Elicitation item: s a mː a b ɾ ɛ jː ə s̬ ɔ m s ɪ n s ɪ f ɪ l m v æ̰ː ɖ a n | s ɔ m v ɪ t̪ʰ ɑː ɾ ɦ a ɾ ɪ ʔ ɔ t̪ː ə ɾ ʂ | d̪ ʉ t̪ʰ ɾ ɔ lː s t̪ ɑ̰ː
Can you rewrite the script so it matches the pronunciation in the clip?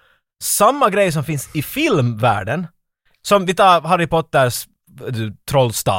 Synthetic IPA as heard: s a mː a ɡ ɾ ɛ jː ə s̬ ɔ m f ɪ n s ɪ f ɪ l m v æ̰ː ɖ ə n | s ɔ m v ɪ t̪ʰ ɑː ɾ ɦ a ɾ ɪ p ɔ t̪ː ə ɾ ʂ | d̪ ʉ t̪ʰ ɾ ɔ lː s t̪ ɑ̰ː